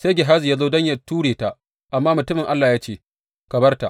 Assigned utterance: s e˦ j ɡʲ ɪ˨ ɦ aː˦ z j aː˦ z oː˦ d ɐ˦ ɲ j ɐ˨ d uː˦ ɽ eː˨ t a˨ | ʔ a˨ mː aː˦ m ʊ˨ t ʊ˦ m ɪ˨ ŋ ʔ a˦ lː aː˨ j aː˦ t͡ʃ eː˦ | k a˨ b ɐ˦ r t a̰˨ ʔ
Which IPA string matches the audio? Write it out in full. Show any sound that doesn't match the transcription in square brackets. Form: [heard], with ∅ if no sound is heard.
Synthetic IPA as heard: s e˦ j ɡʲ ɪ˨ ɦ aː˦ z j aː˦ z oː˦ d ɐ˦ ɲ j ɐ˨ [t] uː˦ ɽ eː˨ t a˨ | ʔ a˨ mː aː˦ m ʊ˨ t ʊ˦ m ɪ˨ ŋ ʔ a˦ lː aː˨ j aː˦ t͡ʃ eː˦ | k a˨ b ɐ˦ r t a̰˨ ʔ